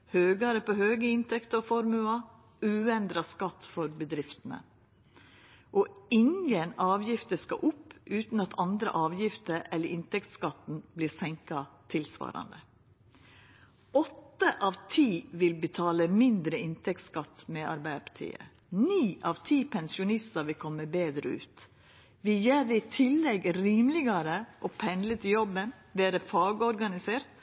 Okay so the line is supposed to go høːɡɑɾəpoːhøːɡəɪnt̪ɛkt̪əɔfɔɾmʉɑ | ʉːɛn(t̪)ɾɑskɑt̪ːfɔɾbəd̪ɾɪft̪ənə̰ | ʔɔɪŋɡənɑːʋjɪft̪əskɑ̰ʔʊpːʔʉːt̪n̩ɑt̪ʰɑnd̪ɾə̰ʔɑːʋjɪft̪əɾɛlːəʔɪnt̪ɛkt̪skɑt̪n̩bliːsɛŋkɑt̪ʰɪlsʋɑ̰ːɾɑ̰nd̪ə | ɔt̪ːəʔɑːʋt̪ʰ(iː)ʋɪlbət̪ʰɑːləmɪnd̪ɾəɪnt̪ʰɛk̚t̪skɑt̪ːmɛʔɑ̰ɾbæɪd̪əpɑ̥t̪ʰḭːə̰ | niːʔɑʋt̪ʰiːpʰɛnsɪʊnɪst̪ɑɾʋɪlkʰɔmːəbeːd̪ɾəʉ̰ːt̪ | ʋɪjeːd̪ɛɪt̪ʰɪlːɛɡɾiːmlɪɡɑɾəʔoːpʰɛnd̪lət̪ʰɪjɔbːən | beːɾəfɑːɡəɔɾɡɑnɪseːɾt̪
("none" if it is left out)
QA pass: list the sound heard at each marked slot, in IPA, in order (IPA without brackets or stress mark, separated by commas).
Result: d̪, iː